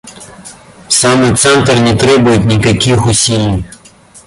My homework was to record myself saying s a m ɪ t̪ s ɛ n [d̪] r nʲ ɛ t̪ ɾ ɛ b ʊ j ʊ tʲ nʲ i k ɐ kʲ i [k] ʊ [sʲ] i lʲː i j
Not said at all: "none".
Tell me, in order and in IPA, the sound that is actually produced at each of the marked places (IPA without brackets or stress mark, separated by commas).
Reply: t̪, x, sʲ